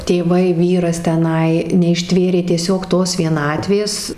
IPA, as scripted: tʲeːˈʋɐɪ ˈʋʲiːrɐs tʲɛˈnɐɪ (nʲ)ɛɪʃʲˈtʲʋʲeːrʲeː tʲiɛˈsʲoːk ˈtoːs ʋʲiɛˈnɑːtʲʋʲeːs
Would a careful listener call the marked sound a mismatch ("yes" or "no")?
no